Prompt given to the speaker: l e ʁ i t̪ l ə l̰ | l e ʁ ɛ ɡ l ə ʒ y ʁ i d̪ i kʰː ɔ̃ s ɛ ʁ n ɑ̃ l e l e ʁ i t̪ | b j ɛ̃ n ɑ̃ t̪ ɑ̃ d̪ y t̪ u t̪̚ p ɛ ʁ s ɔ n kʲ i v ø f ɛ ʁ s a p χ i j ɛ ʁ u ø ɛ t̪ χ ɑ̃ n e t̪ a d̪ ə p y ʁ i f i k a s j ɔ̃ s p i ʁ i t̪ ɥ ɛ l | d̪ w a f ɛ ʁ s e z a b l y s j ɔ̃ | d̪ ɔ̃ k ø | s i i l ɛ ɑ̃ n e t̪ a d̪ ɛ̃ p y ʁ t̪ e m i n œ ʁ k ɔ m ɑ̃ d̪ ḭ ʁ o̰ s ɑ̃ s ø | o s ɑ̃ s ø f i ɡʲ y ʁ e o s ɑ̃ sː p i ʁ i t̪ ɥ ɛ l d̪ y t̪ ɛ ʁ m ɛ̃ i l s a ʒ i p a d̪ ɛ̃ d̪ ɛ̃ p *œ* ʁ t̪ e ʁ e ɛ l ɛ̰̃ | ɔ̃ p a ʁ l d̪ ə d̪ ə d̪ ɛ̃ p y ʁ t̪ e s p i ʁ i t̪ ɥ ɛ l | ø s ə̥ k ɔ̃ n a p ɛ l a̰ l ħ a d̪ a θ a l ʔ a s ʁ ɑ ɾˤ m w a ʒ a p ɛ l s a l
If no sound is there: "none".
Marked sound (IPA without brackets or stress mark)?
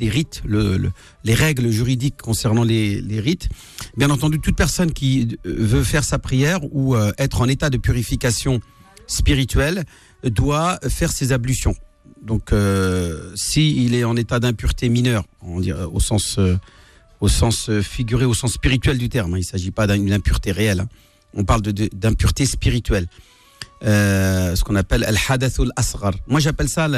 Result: y